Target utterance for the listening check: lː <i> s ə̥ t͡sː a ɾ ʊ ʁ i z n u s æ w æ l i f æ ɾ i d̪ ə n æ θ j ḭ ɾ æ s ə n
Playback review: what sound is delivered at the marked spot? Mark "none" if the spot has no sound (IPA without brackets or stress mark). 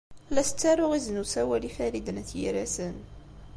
æ